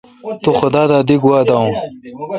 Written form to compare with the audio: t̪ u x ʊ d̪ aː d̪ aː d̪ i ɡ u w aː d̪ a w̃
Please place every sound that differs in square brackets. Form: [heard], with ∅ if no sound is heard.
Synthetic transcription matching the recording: t̪ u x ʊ d̪ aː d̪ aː d̪ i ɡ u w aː d̪ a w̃